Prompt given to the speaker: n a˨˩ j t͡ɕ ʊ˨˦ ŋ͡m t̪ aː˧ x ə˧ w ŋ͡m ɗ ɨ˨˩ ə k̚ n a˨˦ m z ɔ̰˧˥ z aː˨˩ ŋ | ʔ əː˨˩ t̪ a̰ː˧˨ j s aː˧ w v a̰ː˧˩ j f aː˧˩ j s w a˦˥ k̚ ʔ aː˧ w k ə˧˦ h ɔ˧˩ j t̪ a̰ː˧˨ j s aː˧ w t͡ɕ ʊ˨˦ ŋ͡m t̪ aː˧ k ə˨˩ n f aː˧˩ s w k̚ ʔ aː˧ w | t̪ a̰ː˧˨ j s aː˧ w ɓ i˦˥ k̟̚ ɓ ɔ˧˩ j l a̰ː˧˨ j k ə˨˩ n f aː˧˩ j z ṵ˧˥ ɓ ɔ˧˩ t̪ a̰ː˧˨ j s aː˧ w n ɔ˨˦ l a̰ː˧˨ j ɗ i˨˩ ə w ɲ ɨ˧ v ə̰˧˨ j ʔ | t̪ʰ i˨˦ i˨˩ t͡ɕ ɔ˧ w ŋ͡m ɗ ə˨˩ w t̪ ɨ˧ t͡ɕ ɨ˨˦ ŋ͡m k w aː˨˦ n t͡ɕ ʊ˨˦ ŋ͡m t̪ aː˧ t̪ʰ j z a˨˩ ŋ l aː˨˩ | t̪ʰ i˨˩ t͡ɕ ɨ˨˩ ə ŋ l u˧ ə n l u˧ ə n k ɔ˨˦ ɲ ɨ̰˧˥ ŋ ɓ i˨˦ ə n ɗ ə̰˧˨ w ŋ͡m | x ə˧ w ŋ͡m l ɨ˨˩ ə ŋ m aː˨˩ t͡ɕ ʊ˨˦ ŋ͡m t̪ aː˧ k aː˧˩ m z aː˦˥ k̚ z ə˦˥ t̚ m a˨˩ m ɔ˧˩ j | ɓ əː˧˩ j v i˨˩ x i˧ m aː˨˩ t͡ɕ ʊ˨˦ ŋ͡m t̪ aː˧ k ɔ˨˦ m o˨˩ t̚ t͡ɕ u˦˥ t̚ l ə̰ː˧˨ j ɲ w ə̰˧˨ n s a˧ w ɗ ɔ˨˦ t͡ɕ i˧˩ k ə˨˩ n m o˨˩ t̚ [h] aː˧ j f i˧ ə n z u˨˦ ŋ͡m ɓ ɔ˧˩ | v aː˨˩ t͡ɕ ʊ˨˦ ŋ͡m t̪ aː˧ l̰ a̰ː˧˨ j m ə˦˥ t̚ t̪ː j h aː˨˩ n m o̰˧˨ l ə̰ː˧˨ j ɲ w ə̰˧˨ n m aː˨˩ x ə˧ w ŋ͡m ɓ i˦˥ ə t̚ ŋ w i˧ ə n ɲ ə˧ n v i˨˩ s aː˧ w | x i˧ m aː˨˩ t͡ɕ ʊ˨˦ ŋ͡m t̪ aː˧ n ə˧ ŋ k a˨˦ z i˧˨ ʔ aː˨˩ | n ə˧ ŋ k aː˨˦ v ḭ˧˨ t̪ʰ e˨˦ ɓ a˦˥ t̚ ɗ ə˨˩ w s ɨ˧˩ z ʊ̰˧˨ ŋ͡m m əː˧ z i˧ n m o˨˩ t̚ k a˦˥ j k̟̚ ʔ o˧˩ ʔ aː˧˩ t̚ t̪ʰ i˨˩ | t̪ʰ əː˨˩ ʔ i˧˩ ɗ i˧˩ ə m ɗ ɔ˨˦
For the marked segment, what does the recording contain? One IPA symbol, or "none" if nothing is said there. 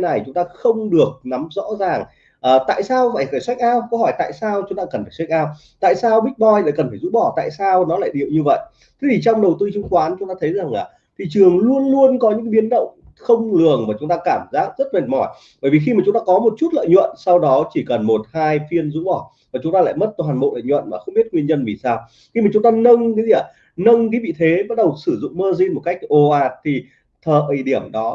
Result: h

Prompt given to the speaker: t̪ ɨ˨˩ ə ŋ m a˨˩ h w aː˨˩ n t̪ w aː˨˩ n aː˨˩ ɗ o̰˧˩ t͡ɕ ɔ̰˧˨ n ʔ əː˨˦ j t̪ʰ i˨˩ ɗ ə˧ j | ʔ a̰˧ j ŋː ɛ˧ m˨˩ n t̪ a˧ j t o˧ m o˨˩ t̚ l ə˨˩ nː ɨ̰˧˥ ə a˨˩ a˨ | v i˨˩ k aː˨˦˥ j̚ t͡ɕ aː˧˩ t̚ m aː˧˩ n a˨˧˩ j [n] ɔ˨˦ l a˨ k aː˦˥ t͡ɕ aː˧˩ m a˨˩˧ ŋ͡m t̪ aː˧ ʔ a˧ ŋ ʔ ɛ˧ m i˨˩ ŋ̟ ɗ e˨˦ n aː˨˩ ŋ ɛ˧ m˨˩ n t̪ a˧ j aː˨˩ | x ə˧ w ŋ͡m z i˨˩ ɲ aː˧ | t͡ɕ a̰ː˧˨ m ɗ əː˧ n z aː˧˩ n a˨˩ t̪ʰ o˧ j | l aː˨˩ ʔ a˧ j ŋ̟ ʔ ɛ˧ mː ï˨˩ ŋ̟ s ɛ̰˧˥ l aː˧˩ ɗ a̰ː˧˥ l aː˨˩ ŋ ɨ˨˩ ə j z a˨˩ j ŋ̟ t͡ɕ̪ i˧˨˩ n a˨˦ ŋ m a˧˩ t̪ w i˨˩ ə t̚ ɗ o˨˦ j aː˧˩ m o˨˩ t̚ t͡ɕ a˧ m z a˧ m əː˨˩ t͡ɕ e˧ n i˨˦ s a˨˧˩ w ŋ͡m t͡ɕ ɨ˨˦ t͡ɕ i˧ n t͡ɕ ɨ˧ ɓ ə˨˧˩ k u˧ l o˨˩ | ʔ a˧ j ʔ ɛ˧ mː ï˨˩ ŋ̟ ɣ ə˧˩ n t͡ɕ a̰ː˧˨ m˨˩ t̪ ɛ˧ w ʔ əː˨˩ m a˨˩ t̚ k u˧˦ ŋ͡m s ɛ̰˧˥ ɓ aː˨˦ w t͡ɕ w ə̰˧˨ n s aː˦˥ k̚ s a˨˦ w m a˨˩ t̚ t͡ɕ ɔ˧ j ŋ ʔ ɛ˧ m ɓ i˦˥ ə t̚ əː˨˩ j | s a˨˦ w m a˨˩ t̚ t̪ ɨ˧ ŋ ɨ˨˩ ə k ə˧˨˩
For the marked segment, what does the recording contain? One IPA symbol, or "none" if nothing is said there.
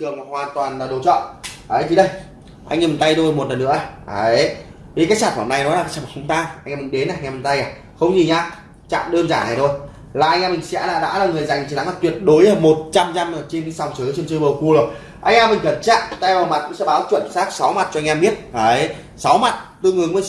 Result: n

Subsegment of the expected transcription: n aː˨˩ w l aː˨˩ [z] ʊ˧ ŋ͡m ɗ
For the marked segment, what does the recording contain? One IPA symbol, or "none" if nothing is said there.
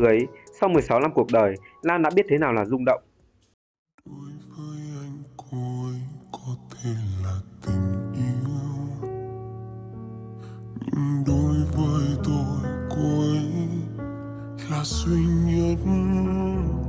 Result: z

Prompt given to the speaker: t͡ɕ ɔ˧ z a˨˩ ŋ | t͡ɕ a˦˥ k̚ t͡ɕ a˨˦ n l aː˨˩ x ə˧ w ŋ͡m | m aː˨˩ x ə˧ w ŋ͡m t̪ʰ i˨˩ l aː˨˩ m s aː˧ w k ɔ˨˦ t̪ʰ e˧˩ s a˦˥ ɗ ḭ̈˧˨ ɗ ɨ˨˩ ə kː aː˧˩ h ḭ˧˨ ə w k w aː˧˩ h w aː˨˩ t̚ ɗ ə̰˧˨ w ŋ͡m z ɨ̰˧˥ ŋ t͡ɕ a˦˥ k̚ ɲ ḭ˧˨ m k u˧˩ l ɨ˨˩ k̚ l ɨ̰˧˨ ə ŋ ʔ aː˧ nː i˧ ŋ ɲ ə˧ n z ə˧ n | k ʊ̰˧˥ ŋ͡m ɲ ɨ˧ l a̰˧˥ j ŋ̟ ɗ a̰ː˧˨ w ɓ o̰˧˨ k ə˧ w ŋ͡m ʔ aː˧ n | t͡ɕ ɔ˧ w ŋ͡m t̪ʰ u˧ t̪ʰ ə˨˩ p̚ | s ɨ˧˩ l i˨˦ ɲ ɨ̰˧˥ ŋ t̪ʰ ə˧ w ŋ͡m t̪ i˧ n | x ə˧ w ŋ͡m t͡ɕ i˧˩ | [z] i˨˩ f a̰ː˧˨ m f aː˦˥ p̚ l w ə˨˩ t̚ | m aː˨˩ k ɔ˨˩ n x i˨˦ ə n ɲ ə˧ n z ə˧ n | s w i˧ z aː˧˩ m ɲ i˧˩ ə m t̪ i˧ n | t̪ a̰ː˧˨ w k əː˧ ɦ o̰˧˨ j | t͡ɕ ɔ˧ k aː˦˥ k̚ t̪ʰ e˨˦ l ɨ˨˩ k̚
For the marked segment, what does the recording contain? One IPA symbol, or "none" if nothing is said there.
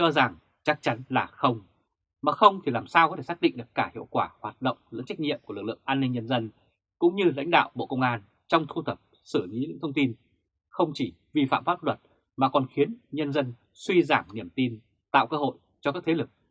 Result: v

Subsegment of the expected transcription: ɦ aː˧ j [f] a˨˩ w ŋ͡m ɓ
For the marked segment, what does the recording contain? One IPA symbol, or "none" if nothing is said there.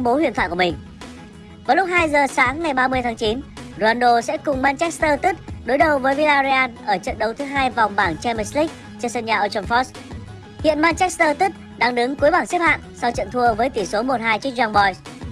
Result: v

